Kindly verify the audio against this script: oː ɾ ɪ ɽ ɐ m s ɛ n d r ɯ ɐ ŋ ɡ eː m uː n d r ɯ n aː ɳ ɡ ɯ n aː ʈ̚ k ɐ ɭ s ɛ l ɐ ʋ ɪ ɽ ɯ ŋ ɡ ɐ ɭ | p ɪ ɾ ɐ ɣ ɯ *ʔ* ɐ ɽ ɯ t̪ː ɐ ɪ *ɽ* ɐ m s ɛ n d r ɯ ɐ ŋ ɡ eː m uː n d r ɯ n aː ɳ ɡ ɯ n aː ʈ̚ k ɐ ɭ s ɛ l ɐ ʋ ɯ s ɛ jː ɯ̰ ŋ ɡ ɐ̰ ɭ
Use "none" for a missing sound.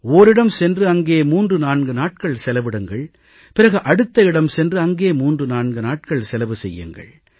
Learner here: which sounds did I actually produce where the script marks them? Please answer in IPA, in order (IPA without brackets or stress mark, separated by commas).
ʔ, ɽ